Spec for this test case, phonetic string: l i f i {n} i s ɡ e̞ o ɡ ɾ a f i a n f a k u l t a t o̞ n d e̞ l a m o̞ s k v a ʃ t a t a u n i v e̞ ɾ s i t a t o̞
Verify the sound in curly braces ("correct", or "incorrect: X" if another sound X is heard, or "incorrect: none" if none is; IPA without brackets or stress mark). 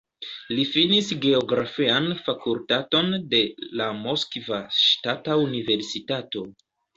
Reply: correct